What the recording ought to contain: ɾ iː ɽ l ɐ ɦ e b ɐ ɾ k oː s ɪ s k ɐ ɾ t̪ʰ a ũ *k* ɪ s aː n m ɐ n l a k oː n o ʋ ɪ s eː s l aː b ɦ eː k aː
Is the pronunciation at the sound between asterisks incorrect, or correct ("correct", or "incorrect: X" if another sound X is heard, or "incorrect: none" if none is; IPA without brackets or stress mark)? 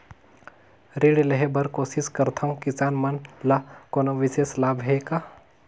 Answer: correct